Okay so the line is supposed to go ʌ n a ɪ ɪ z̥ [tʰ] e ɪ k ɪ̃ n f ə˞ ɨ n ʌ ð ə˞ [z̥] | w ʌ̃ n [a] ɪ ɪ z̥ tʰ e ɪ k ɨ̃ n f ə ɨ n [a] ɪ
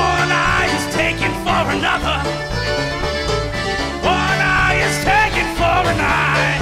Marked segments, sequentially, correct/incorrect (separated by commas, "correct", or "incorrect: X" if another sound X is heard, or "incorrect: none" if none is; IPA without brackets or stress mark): correct, incorrect: none, correct, correct